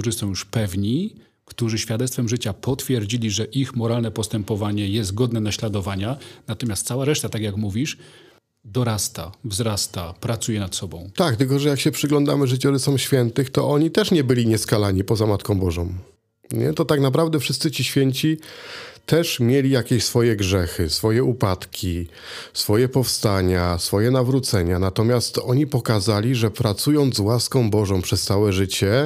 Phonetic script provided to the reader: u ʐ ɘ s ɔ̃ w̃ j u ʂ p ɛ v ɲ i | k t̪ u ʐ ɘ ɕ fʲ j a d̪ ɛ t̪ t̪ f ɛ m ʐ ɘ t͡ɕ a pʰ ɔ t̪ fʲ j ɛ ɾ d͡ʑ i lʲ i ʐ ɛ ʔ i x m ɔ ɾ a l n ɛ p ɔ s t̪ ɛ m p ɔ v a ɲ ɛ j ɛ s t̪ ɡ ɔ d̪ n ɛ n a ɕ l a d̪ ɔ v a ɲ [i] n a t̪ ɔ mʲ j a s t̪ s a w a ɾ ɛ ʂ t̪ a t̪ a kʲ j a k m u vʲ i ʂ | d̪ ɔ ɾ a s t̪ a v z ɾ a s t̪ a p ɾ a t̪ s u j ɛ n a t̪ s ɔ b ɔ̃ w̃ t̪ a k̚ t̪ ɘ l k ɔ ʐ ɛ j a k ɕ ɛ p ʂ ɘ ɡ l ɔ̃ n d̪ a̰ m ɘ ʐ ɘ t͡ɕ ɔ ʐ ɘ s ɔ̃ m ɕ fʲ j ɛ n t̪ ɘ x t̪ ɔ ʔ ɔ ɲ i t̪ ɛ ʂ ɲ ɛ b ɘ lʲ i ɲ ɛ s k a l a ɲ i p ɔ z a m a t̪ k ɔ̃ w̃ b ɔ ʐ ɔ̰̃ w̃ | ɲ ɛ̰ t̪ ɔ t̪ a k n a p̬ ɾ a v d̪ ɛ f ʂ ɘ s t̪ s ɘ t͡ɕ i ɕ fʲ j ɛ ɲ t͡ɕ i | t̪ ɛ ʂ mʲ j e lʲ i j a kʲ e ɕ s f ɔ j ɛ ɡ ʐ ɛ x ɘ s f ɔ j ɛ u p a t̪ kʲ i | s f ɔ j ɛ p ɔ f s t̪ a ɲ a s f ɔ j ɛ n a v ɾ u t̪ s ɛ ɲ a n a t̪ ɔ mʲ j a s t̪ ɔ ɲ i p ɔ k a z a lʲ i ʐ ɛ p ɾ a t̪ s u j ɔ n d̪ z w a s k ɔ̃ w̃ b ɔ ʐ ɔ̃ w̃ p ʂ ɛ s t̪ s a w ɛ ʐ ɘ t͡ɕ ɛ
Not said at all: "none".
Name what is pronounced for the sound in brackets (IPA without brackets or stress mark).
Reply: a